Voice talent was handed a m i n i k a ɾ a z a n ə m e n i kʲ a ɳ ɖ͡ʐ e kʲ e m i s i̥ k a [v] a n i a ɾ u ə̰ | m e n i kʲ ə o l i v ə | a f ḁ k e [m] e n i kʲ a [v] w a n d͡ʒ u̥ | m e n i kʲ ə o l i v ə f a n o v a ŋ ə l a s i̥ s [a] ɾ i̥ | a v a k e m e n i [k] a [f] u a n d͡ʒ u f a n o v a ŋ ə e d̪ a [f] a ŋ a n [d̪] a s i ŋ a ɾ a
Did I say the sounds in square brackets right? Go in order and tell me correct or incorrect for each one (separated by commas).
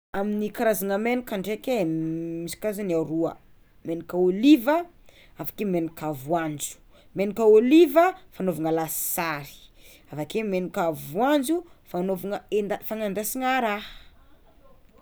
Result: incorrect, correct, correct, correct, correct, incorrect, correct, correct